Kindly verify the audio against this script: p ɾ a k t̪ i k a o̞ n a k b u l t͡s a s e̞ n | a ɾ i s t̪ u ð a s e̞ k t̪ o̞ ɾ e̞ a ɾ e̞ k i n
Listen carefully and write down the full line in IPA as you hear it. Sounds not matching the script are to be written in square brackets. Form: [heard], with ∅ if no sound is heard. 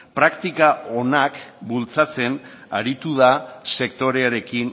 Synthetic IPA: p ɾ a k t̪ i k a o̞ n a k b u l t͡s a [t͡s] e̞ n | a ɾ i [∅] t̪ u ð a s e̞ k t̪ o̞ ɾ e̞ a ɾ e̞ k i n